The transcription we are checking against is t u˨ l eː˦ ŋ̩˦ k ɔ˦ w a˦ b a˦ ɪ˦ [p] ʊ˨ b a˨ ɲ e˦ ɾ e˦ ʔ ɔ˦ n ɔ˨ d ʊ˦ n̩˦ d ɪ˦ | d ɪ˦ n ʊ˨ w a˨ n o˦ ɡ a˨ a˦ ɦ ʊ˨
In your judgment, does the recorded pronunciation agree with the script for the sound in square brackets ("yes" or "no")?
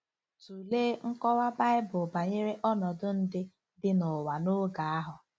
no